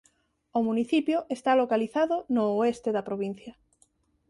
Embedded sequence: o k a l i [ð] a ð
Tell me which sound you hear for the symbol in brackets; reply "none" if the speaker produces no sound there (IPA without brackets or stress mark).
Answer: θ